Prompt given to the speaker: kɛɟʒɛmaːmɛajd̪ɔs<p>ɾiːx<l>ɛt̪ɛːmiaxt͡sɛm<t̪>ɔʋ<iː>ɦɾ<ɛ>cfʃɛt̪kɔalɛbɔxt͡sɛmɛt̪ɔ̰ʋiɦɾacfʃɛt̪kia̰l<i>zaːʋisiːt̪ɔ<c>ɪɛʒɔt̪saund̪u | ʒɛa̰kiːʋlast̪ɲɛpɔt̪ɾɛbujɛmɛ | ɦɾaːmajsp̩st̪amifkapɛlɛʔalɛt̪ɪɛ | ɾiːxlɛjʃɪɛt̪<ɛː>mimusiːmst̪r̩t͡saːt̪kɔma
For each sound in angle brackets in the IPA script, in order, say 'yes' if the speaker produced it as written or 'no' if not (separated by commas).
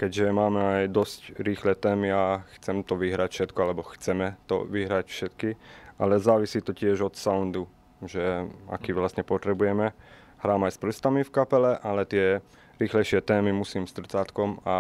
no, yes, yes, no, no, no, yes, yes